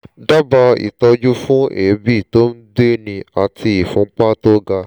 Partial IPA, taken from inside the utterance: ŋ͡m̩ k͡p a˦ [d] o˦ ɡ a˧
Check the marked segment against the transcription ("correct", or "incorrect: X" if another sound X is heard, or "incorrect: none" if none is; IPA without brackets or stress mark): incorrect: t